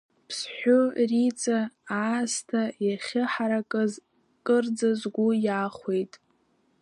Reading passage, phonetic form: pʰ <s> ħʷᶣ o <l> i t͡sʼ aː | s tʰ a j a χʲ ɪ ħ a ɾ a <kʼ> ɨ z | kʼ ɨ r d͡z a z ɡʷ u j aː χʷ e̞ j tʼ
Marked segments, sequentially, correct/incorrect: correct, incorrect, correct

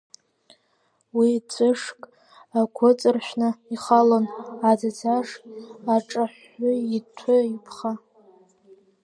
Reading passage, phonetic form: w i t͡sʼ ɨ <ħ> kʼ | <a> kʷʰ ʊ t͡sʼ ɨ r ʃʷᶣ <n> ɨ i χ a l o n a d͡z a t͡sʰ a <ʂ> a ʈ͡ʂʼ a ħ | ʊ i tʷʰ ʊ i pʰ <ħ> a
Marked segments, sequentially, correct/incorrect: incorrect, correct, correct, correct, incorrect

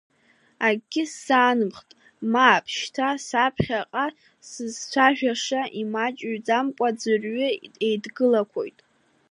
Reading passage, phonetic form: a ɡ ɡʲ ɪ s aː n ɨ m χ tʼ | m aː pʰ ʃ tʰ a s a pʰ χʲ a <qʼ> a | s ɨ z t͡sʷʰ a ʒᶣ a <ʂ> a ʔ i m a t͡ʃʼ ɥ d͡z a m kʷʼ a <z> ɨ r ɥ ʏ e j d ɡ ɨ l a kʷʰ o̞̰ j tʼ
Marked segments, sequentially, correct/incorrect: correct, correct, incorrect

